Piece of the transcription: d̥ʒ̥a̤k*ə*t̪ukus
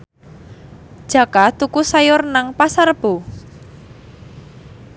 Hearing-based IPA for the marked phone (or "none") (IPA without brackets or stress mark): a